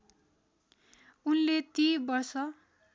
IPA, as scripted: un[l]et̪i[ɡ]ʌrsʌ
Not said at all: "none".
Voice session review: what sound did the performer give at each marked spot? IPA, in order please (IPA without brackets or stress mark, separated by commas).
l, b